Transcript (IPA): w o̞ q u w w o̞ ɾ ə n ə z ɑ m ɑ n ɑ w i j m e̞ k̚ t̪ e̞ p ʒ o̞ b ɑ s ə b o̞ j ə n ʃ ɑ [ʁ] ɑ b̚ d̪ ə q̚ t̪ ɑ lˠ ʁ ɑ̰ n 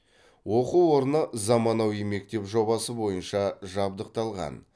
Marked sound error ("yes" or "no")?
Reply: yes